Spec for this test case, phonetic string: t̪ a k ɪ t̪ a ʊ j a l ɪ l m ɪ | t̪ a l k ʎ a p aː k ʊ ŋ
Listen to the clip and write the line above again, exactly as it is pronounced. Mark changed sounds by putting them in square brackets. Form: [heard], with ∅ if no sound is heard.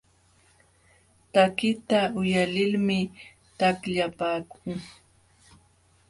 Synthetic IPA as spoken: t̪ a k ɪ t̪ a ʊ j a l ɪ l m ɪ | t̪ a [∅] k ʎ a p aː k ʊ ŋ